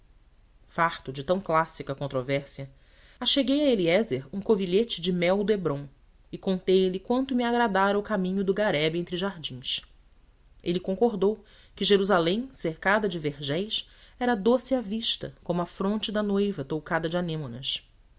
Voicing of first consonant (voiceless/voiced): voiceless